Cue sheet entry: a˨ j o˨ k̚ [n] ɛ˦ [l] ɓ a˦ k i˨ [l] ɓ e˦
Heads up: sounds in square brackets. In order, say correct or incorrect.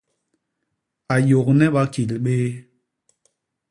correct, incorrect: none, correct

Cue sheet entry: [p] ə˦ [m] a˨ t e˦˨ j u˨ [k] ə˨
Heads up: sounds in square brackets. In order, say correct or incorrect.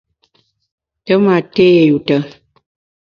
incorrect: t, correct, incorrect: t

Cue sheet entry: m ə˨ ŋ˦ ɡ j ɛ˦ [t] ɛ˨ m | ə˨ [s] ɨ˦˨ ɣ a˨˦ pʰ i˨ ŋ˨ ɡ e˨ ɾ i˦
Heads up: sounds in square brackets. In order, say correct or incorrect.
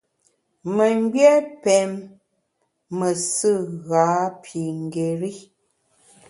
incorrect: p, correct

